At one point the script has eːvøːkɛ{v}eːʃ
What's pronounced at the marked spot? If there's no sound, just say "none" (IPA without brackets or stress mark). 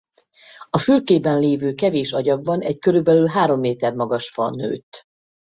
v